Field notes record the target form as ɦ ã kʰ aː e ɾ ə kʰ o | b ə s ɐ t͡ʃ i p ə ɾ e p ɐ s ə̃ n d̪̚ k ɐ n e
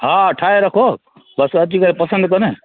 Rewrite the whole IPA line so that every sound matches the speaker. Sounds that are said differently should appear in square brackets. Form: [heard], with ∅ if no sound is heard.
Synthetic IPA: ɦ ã [ʈʰ] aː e ɾ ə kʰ o | b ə s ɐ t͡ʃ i [k] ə ɾ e p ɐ s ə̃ n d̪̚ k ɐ n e

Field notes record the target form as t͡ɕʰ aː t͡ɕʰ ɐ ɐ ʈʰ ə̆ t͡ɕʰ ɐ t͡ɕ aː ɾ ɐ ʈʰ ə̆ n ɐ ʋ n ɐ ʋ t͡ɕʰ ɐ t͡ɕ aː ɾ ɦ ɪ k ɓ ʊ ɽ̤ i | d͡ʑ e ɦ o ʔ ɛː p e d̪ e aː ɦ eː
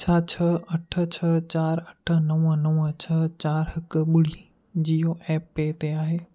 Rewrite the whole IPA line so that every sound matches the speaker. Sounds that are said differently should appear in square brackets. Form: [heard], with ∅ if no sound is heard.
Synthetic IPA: t͡ɕʰ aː t͡ɕʰ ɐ ɐ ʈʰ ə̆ t͡ɕʰ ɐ t͡ɕ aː ɾ ɐ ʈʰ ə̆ n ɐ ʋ n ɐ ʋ t͡ɕʰ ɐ t͡ɕ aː ɾ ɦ ɪ k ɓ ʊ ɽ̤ i | d͡ʑ [i] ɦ o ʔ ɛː p e [t̪] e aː ɦ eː

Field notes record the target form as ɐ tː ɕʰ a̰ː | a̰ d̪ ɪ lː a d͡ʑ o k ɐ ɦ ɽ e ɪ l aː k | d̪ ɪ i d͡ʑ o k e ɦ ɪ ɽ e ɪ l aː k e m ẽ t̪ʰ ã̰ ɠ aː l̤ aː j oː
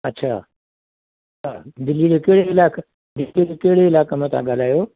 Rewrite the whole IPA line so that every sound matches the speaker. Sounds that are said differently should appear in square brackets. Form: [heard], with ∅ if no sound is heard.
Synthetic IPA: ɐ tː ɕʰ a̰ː | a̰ d̪ ɪ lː [i] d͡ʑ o k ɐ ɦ ɽ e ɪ l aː k | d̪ ɪ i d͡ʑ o k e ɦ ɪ ɽ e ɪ l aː k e m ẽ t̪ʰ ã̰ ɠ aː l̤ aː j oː

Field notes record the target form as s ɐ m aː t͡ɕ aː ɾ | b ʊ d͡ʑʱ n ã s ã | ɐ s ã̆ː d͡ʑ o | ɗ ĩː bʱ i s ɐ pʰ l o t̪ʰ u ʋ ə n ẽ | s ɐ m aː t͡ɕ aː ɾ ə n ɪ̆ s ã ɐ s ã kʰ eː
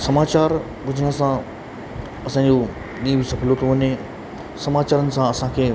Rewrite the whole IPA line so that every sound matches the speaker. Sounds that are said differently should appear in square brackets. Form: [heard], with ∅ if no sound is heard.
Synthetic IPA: s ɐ m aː t͡ɕ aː ɾ | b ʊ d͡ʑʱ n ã s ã | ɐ s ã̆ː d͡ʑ o | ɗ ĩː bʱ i s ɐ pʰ l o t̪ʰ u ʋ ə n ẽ | s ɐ m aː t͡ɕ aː ɾ ə n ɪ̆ s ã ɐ s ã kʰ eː

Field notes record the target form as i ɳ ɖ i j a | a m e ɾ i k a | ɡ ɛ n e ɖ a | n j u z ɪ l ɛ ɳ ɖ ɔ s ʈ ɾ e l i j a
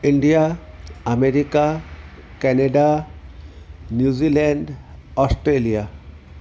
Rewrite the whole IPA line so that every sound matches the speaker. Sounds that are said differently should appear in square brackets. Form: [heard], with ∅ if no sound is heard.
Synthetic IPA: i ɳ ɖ i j a | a m e ɾ i k a | [k] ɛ n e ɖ a | n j u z [i] l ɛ ɳ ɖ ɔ s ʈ ɾ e l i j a

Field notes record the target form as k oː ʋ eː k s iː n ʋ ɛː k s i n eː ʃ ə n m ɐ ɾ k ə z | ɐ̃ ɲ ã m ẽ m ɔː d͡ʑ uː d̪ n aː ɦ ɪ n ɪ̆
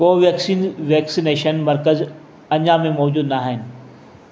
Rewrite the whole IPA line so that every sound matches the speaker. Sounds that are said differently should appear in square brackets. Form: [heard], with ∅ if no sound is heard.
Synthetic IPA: k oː ʋ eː k s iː n ʋ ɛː k s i n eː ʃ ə n m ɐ ɾ k ə z | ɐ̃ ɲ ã m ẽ m ɔː d͡ʑ uː d̪ n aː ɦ ɪ n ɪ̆

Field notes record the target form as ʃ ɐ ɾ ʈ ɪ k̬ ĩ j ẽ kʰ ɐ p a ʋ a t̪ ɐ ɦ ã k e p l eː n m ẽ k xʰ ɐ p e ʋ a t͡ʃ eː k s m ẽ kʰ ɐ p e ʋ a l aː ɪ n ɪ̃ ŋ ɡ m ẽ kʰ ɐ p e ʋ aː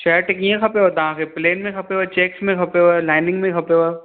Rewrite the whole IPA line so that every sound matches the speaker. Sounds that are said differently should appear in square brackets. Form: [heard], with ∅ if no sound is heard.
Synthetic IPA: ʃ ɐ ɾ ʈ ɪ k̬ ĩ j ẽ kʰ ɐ p [e] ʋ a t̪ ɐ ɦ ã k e p l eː n m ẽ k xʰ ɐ p e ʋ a t͡ʃ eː k s m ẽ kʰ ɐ p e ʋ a l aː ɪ n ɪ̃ ŋ ɡ m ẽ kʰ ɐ p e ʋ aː

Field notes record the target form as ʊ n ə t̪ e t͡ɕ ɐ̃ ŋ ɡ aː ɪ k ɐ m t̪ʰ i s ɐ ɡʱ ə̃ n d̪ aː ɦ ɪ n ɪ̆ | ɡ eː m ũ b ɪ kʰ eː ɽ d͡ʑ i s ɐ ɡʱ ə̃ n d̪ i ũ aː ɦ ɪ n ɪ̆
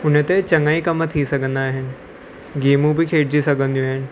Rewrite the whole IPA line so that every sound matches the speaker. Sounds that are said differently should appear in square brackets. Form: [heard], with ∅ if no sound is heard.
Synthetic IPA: ʊ n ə t̪ e t͡ɕ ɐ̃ ŋ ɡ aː [i] k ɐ m t̪ʰ i s ɐ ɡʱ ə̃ n d̪ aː ɦ ɪ n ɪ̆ | ɡ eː m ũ b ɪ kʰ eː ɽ d͡ʑ i s ɐ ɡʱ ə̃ n d̪ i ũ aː ɦ ɪ n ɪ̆

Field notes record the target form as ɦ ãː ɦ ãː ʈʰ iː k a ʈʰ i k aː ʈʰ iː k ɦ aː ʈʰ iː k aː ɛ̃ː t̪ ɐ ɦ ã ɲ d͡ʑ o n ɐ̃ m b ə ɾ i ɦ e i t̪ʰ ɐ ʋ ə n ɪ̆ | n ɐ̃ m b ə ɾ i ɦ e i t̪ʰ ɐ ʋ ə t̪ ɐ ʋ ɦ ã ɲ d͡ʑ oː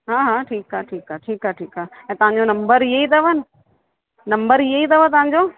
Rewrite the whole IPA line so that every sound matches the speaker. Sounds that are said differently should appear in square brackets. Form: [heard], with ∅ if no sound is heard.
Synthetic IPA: ɦ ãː ɦ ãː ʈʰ iː k a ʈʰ [iː] k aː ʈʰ iː k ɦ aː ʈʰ iː k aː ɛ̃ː t̪ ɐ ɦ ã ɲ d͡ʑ o n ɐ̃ m b ə ɾ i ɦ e i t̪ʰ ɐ ʋ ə n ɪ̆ | n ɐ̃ m b ə ɾ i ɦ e i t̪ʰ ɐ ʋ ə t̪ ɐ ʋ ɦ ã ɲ d͡ʑ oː

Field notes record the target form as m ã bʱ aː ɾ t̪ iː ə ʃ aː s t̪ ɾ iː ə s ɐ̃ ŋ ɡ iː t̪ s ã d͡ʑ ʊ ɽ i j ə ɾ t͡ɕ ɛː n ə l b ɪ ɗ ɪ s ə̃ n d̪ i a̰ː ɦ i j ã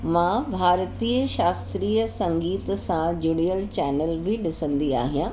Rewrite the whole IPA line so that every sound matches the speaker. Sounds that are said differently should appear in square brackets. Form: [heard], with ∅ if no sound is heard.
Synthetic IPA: m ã bʱ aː ɾ t̪ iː ə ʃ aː s t̪ ɾ iː ə s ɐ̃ ŋ ɡ iː t̪ s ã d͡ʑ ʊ ɽ i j ə [l] t͡ɕ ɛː n ə l b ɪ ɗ ɪ s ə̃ n d̪ i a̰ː ɦ i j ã

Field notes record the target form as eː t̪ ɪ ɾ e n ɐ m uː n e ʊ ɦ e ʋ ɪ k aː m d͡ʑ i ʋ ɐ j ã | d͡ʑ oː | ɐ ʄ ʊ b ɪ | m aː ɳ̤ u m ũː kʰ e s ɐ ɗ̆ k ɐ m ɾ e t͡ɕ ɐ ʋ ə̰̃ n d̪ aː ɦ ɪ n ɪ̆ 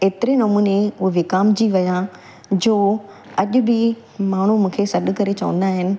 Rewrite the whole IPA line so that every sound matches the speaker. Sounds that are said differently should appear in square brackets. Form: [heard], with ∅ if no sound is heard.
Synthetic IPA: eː t̪ ɪ ɾ e n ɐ m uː n e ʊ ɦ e ʋ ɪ k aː m d͡ʑ i ʋ ɐ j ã | d͡ʑ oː | ɐ ʄ ʊ b ɪ | m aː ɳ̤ u m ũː kʰ e s ɐ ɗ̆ k ɐ [∅] ɾ e t͡ɕ ɐ ʋ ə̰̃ n d̪ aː ɦ ɪ n ɪ̆

